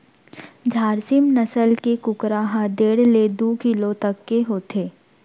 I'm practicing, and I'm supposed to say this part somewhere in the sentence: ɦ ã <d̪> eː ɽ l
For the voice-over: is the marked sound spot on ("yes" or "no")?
yes